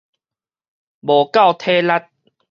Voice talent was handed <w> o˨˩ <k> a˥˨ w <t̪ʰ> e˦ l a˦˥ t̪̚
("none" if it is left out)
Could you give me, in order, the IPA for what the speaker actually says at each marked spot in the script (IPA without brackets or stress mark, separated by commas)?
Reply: b, k, t̪ʰ